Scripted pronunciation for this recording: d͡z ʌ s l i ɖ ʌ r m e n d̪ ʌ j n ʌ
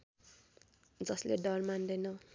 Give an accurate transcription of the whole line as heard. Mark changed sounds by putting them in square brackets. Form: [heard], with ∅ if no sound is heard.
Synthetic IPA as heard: d͡z ʌ s l [e] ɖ ʌ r m [a] n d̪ ʌ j n ʌ